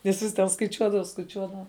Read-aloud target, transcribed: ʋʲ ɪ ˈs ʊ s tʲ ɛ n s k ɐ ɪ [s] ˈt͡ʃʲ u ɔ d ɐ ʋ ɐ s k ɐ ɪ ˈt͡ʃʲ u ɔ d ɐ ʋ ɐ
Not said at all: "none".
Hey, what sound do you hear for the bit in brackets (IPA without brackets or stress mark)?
none